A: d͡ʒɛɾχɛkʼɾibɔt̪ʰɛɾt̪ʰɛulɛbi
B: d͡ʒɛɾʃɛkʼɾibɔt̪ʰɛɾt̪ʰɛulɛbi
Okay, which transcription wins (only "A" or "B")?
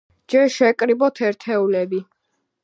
B